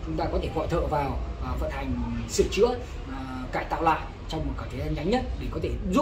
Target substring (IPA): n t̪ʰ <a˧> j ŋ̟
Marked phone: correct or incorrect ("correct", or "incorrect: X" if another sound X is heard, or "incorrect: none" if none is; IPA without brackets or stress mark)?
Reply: incorrect: a˨˩